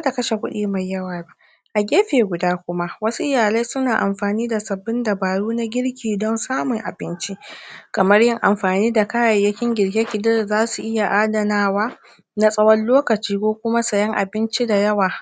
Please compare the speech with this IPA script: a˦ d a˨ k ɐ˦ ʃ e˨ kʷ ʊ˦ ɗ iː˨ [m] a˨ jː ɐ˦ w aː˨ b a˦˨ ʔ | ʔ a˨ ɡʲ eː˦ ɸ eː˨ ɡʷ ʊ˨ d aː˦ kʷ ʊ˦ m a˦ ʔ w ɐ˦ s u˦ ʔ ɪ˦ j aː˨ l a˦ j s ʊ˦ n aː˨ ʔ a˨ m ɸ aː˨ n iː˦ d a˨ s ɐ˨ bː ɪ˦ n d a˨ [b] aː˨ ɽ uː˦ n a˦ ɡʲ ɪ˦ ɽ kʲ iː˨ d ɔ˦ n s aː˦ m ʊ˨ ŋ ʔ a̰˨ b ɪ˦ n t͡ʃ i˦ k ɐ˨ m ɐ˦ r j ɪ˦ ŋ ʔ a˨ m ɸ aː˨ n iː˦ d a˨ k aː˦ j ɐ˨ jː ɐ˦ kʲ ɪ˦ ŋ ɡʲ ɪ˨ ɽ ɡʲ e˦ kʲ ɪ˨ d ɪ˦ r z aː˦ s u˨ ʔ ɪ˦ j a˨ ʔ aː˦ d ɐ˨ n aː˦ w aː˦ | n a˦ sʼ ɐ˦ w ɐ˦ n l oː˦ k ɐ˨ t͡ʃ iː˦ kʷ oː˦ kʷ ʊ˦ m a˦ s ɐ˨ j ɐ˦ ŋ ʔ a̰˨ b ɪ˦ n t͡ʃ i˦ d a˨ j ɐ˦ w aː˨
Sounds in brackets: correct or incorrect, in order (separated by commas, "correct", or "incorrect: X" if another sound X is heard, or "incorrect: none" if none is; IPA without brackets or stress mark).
correct, correct